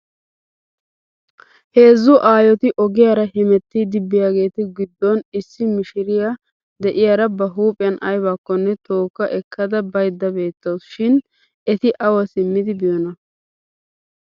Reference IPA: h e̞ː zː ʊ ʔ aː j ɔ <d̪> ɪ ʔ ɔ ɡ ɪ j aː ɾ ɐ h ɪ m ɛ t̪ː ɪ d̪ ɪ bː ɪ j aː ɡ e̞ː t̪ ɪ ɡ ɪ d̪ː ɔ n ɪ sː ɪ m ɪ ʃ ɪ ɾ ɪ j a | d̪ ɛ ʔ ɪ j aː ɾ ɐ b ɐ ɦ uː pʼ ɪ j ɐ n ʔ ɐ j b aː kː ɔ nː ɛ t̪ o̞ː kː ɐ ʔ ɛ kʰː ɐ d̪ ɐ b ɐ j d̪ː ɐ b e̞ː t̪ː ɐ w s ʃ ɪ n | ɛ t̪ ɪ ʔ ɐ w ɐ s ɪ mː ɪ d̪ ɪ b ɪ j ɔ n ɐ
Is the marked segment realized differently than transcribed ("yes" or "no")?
yes